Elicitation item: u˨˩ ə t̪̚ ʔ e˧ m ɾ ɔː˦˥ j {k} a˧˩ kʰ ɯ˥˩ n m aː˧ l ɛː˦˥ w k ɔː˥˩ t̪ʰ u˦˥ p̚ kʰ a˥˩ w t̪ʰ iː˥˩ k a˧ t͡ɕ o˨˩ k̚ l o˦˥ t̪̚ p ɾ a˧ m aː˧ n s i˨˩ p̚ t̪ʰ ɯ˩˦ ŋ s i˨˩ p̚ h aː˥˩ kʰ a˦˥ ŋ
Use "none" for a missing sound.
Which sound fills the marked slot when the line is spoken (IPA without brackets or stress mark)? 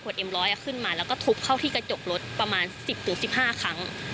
ʔ